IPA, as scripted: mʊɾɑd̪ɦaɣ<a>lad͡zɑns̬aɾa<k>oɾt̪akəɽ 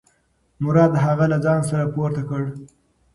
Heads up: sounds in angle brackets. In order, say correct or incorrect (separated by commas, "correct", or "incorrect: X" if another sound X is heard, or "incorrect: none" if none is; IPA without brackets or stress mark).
correct, incorrect: p